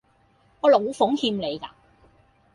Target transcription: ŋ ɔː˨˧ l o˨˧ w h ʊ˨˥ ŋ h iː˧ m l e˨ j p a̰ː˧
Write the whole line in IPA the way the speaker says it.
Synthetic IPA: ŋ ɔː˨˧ l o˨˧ w f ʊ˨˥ ŋ h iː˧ m l e˨ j k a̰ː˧